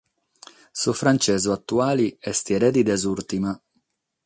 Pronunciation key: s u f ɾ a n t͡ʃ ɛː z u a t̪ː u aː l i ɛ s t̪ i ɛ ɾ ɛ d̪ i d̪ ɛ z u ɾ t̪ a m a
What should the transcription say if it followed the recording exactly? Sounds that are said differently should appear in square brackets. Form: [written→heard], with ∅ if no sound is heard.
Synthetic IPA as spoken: s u f ɾ a n t͡ʃ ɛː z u a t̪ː u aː l i ɛ s t̪ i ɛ ɾ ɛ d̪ i d̪ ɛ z u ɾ t̪ [a→i] m a